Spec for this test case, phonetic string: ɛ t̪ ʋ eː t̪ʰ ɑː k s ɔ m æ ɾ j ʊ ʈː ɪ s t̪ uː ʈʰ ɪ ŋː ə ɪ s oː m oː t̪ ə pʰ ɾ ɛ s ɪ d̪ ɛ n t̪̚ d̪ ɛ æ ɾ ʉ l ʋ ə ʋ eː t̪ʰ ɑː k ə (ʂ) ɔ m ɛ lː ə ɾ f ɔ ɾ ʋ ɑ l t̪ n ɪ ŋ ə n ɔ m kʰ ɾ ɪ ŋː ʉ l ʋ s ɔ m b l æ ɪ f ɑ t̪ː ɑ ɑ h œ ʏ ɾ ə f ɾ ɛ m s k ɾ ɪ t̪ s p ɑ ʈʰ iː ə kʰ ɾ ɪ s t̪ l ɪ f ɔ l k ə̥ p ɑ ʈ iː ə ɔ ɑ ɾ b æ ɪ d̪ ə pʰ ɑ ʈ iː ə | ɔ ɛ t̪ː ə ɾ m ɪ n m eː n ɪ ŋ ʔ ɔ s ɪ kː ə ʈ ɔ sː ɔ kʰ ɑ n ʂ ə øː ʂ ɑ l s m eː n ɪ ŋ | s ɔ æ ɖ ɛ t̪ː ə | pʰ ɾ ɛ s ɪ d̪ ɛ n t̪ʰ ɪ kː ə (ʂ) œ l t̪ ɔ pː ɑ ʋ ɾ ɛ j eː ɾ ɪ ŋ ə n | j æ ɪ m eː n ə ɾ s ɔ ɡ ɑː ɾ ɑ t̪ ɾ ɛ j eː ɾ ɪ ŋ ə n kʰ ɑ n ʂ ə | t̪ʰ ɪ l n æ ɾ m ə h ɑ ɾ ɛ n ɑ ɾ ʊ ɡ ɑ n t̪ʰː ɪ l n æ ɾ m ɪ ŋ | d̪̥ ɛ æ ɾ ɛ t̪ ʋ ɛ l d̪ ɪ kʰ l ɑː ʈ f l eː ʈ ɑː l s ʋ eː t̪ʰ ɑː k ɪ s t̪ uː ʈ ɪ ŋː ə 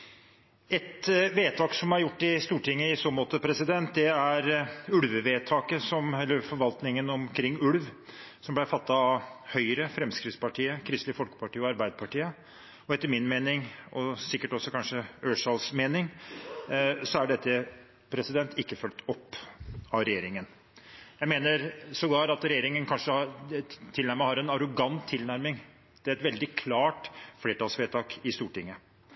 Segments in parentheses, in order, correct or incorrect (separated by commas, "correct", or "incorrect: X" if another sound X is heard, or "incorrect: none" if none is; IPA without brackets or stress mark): incorrect: s, incorrect: f